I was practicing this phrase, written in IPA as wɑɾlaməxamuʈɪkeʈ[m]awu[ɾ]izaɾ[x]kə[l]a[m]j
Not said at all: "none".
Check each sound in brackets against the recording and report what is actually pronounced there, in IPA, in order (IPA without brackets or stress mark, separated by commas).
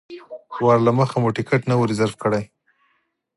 n, ɾ, f, ɽ, none